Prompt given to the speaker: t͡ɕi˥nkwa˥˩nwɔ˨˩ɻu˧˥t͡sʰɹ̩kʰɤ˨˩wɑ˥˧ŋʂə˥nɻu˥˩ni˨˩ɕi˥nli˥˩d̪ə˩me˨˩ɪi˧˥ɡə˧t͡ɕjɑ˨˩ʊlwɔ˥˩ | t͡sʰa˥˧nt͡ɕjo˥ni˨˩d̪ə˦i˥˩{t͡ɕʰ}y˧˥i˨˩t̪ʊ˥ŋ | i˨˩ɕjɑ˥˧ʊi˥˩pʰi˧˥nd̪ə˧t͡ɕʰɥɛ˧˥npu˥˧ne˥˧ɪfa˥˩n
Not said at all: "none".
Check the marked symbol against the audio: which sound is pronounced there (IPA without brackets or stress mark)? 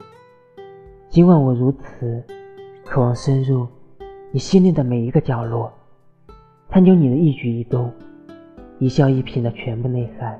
t͡ɕ